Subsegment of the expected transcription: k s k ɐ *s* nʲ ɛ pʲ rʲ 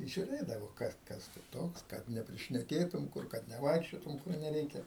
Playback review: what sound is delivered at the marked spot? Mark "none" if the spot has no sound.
t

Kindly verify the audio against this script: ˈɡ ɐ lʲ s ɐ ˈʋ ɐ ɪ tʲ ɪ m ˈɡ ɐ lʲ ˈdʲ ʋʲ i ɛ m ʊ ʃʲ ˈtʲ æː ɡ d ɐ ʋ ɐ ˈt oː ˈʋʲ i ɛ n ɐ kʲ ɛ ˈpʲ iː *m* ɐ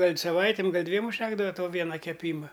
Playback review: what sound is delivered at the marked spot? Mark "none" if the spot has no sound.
m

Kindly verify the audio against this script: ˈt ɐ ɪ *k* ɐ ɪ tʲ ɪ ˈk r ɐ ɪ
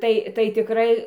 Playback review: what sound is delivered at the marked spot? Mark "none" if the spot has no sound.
t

